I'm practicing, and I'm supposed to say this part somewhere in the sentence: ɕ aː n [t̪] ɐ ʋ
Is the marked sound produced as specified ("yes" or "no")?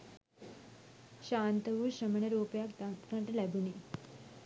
yes